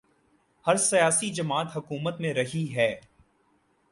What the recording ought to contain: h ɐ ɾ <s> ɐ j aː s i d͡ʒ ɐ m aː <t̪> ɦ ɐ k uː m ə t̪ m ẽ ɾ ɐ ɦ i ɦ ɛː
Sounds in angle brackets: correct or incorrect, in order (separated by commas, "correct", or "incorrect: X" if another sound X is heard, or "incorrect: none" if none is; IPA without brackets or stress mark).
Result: correct, correct